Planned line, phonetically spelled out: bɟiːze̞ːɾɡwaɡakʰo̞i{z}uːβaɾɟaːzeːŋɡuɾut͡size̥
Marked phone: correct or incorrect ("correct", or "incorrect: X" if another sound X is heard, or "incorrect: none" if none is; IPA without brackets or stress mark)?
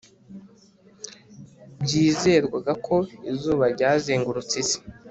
correct